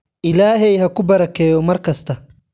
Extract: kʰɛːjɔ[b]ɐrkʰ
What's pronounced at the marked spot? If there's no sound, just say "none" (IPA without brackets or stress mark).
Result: m